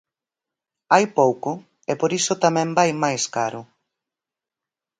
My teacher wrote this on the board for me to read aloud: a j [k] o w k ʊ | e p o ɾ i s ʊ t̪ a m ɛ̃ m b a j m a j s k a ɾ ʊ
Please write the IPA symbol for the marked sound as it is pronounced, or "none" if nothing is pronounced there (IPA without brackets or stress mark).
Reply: p